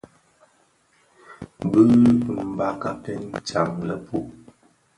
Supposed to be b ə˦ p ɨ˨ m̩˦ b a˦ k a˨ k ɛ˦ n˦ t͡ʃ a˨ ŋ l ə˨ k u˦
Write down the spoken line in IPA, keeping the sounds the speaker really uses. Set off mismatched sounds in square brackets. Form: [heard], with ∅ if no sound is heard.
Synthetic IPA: b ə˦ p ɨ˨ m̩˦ b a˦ k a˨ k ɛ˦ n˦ t͡ʃ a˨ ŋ l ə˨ [p] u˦